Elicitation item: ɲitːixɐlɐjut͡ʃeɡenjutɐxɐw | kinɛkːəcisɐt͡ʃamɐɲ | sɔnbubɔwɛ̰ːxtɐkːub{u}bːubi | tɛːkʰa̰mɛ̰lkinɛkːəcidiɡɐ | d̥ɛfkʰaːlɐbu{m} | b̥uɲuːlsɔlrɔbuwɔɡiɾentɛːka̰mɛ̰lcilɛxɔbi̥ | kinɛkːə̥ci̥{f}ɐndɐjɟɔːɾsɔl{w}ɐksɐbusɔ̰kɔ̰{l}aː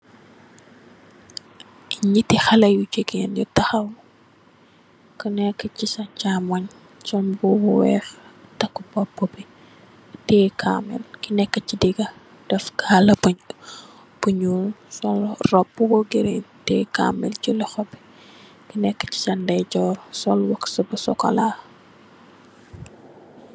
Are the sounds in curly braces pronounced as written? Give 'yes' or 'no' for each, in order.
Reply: no, no, no, yes, yes

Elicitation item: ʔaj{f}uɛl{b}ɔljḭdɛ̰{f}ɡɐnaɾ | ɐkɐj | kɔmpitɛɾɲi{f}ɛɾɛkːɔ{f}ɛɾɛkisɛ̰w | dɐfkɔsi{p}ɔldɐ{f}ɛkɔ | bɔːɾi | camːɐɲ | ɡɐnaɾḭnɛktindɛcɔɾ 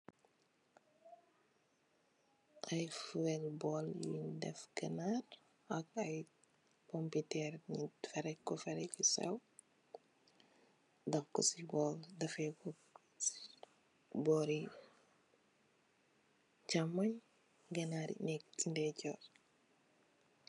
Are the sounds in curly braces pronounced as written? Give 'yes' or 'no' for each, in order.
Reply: yes, yes, yes, yes, yes, no, yes

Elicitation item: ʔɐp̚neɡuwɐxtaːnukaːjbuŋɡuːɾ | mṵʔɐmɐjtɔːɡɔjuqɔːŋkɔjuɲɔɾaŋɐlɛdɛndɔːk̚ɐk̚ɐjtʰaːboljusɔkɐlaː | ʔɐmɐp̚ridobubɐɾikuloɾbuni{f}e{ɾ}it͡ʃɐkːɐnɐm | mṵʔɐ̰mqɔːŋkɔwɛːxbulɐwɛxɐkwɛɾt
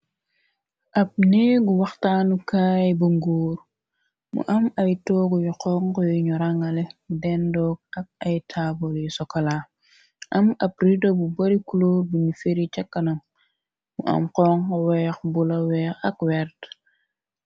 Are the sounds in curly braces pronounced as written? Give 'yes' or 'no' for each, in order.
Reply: yes, yes

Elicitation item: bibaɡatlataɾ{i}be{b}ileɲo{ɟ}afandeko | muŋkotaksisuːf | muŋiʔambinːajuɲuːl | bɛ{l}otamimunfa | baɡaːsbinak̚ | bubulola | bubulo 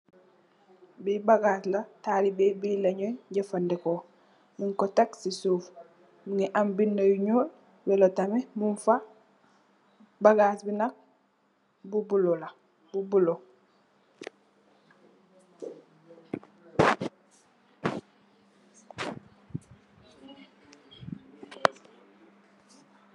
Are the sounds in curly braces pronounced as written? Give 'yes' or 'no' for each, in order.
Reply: yes, yes, yes, yes

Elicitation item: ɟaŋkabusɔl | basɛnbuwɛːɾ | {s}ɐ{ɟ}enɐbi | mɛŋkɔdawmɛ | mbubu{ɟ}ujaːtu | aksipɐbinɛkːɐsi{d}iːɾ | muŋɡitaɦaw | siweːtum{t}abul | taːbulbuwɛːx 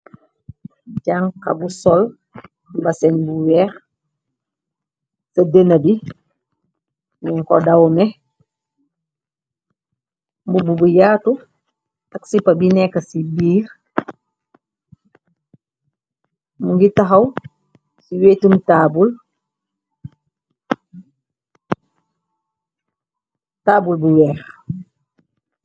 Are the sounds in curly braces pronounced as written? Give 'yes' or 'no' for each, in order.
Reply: yes, no, no, no, yes

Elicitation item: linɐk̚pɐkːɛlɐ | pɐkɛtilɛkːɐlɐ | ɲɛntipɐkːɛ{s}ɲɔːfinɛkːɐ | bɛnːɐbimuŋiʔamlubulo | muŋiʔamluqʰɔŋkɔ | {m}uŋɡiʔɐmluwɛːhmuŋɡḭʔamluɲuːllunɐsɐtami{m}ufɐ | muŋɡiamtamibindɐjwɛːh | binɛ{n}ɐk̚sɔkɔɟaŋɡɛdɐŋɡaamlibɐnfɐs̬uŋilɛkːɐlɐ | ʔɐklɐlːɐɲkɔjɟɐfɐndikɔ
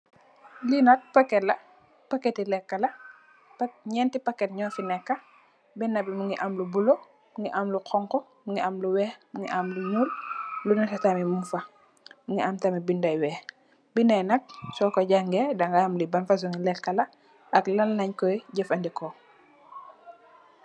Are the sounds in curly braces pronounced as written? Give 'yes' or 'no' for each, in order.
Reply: no, yes, yes, yes

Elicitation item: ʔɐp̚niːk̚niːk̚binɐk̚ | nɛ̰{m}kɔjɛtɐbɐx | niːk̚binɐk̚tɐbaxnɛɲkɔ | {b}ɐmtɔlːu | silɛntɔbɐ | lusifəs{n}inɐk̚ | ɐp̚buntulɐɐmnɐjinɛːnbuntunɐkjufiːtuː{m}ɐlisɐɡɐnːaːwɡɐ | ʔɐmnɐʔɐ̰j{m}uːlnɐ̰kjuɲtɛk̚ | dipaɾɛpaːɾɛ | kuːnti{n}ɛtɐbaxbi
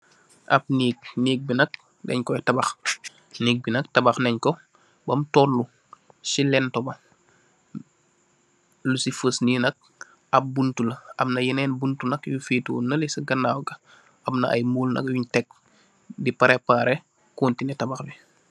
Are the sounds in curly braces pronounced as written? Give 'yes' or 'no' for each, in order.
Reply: no, yes, yes, no, yes, yes

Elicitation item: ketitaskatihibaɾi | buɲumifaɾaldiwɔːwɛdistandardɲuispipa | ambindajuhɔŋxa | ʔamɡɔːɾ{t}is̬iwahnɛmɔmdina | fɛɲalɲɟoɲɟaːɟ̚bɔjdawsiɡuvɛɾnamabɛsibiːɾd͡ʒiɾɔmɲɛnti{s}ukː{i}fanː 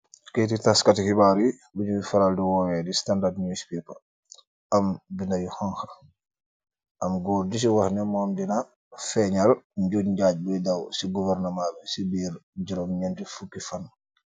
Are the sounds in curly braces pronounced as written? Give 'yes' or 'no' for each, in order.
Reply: no, no, yes

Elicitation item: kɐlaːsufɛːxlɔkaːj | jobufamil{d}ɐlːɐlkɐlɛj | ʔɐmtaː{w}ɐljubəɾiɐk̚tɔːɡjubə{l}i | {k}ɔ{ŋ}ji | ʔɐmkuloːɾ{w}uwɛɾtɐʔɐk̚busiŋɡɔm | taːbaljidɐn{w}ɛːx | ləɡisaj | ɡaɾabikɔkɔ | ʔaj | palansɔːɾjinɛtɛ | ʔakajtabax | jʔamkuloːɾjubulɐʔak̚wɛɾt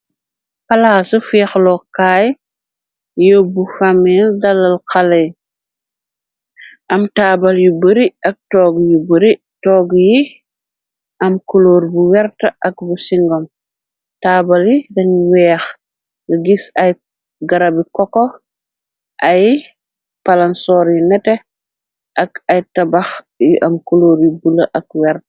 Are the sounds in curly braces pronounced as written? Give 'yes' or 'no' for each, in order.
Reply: yes, no, no, no, no, no, yes

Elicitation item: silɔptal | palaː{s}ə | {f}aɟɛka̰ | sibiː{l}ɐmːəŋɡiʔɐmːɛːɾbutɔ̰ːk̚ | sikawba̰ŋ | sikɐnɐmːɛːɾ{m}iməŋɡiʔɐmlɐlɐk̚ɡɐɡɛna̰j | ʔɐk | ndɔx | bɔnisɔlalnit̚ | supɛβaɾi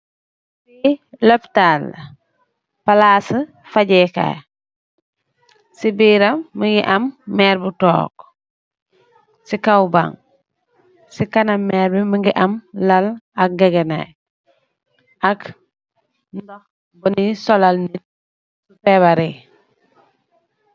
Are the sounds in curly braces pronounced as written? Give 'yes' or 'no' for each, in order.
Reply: yes, yes, no, no

